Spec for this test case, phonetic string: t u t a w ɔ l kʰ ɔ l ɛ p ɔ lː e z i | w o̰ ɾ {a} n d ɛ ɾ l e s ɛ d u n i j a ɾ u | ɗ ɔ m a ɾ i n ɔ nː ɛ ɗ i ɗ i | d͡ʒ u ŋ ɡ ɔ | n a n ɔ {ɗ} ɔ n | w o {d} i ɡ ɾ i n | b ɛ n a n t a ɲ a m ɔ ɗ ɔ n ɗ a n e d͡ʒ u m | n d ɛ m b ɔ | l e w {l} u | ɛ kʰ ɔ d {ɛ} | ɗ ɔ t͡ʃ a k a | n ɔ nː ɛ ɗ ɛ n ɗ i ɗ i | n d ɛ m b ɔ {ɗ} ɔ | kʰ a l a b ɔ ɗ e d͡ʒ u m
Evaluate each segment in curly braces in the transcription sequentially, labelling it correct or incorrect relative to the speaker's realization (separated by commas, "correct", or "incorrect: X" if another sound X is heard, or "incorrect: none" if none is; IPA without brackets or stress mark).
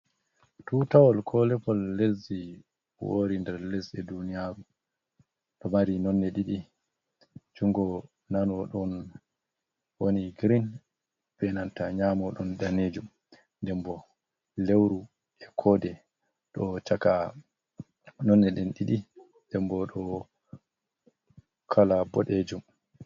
incorrect: i, correct, incorrect: n, incorrect: ɾ, correct, correct